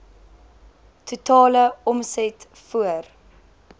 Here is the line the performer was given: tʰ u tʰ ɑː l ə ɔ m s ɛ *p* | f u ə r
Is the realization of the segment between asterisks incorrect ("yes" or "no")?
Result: yes